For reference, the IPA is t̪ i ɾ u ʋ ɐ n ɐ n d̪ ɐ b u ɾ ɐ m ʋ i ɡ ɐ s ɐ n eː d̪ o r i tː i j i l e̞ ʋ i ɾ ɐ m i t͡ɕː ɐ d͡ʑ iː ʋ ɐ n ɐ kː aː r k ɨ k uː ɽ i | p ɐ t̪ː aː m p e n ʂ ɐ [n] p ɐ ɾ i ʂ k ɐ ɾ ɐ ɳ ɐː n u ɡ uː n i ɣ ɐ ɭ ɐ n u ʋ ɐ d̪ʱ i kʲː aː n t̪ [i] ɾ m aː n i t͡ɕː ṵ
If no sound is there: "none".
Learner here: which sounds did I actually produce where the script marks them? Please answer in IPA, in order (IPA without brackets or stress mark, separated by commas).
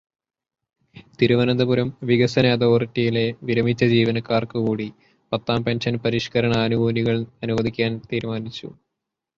n, iː